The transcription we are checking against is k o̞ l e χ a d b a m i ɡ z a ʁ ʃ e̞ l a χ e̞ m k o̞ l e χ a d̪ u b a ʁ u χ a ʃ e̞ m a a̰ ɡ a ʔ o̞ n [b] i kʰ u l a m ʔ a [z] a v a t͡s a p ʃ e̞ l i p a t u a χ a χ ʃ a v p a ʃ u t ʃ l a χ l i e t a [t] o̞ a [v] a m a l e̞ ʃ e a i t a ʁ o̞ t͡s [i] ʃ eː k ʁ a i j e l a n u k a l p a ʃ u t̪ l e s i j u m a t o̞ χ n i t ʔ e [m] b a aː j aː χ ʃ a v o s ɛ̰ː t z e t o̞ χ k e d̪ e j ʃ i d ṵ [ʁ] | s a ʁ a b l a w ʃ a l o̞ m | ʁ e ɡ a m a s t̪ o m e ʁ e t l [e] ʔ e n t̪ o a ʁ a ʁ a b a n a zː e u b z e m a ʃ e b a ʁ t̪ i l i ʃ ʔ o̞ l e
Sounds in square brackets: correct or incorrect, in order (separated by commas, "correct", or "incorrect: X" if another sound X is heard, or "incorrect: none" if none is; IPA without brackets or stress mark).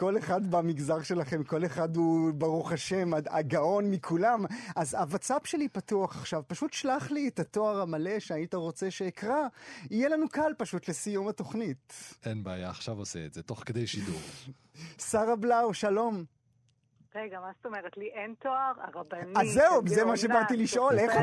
incorrect: m, correct, correct, incorrect: ʁ, incorrect: e, incorrect: n, correct, incorrect: i